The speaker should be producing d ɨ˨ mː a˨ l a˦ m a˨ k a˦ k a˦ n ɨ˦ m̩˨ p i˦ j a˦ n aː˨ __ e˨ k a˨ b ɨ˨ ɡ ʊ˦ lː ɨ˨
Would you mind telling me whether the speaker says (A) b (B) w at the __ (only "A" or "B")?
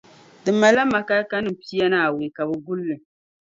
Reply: B